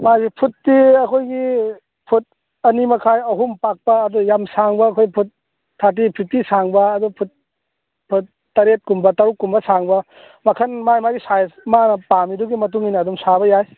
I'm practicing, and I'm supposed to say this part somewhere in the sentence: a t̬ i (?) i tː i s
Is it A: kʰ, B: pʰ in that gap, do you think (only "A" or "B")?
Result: B